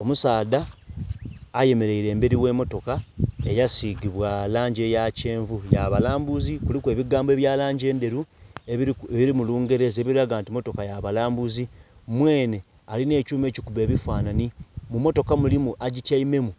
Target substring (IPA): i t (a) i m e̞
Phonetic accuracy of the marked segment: correct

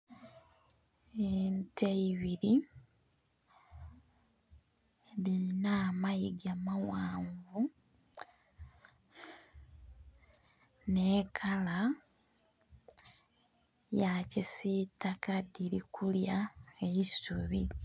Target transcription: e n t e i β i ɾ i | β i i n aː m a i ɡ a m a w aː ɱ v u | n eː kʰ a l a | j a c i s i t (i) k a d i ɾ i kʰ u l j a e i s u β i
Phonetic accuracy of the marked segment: incorrect: a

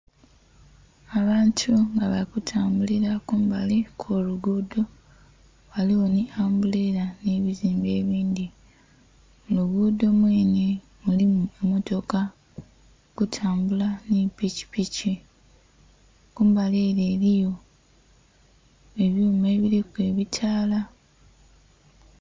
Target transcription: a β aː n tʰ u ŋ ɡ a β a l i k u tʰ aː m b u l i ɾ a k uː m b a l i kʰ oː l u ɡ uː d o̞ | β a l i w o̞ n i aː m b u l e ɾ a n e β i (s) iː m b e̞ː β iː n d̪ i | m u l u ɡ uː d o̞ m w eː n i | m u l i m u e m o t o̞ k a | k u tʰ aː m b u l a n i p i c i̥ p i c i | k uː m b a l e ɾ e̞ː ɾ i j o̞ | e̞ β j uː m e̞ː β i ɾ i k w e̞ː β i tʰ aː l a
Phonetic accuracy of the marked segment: incorrect: z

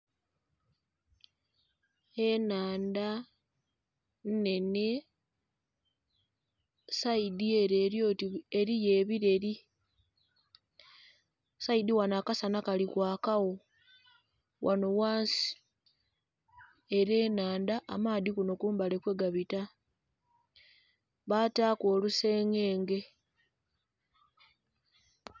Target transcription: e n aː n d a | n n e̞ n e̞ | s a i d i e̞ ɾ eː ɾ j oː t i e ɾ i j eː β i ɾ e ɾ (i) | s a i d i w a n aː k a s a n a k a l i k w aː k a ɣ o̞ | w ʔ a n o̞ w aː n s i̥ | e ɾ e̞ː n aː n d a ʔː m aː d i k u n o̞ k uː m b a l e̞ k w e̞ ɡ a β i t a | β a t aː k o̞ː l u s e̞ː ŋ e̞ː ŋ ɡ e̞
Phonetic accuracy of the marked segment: correct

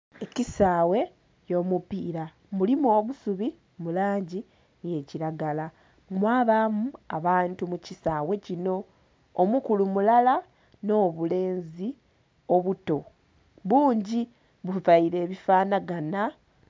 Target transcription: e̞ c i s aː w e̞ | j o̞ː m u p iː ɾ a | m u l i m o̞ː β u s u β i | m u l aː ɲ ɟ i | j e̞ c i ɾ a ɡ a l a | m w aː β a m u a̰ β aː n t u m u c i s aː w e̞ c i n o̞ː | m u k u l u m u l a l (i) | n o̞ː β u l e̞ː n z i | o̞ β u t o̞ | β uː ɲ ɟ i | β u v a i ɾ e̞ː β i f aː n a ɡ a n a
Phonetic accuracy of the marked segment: incorrect: a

